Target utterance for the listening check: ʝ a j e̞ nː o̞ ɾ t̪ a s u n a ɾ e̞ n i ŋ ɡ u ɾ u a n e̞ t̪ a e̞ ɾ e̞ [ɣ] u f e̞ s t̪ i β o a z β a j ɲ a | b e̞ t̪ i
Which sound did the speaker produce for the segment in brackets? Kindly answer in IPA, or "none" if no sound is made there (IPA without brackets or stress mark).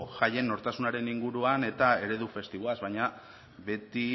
ð